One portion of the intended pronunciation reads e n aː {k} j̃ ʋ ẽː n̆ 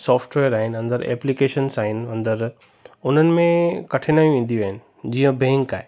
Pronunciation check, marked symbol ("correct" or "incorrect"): incorrect